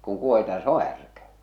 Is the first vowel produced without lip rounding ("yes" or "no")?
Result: no